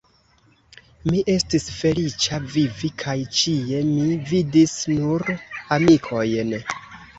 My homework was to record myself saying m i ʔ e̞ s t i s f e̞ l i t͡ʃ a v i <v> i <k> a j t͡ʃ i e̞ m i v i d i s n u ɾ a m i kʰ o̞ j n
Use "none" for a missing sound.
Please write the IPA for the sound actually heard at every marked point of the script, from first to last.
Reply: v, kʰ

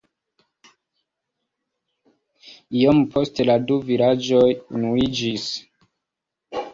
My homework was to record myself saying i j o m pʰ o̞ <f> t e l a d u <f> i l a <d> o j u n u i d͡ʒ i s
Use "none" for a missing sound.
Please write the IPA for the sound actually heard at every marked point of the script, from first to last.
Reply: s, v, d͡ʒ

